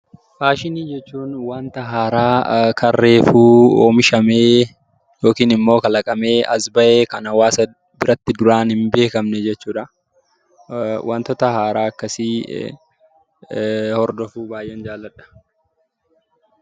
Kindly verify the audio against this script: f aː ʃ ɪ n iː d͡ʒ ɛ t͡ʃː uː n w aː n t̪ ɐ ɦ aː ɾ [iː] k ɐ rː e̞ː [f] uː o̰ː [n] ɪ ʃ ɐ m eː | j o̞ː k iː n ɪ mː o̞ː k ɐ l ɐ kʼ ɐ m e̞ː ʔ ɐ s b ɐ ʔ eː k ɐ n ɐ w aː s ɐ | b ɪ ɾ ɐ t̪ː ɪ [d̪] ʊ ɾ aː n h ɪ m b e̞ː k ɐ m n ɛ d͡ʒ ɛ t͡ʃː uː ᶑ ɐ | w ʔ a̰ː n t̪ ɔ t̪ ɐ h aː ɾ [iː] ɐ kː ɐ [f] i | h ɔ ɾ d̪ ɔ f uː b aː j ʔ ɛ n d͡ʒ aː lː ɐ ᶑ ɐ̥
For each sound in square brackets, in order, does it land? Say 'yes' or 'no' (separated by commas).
no, yes, no, yes, no, no